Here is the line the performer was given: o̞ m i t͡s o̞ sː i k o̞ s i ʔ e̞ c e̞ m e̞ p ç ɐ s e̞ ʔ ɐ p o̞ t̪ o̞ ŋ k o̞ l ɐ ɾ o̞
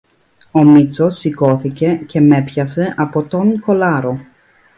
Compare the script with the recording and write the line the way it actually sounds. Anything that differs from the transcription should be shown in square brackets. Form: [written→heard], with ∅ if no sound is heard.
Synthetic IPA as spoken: o̞ m i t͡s o̞ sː i k o̞ [s→θ] i [ʔ→c] e̞ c e̞ m e̞ p ç ɐ s e̞ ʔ ɐ p o̞ t̪ o̞ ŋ k o̞ l ɐ ɾ o̞